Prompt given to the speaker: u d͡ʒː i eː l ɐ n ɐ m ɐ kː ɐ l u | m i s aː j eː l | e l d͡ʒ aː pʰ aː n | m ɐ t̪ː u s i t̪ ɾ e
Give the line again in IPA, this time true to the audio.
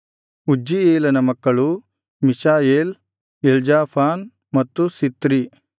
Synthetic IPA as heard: u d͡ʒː i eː l ɐ n ɐ m ɐ kː ɐ ɭ u | m i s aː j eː l | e l d͡ʒ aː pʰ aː n | m ɐ t̪ː u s i t̪ ɾ i